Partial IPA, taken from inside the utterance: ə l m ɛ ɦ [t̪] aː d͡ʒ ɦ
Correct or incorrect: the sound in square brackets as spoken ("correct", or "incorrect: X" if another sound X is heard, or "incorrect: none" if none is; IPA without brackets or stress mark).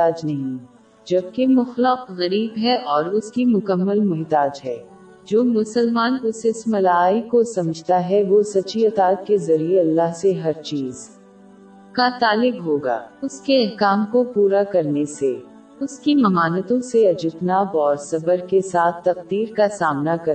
correct